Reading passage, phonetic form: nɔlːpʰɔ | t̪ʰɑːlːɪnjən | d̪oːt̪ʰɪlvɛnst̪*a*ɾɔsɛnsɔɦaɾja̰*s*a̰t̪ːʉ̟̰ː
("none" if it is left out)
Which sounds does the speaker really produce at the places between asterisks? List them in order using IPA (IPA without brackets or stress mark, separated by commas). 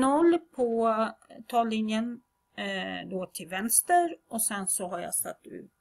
ə, s